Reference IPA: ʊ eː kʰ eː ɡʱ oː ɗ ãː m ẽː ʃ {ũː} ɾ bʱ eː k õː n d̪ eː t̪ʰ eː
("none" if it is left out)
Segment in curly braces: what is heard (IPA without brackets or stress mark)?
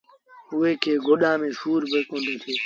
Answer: uː